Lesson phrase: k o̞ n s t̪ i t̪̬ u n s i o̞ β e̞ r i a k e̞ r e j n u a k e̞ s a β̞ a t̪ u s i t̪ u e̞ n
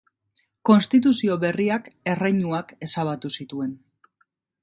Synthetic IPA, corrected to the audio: k o̞ n s t̪ i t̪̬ u s i o̞ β e̞ r i a k e̞ r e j ɲ u a k e̞ s a β̞ a t̪ u s i t̪ u e̞ n